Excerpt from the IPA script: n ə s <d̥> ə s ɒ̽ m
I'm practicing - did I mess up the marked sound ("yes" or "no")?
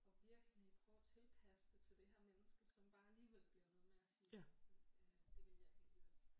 yes